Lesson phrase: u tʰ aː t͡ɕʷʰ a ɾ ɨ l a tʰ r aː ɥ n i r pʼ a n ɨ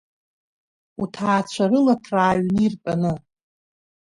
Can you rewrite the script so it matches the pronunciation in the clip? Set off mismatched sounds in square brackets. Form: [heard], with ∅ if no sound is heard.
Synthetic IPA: u tʰ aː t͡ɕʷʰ a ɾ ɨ l a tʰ r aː ɥ n i r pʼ a n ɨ